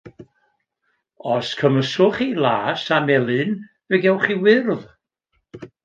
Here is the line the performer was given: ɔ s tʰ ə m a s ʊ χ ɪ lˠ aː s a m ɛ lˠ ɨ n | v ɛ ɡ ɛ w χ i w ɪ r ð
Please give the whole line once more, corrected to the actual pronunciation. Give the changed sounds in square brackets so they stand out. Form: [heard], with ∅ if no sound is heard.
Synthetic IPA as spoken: ɔ s [kʰ] ə m [ə] s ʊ χ [i] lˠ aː s a m ɛ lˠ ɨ n | v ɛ ɡ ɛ w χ i w ɪ r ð